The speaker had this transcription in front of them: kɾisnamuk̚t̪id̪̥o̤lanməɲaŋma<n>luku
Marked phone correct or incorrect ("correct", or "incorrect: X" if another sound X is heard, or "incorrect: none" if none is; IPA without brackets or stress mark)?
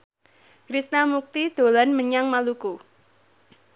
incorrect: none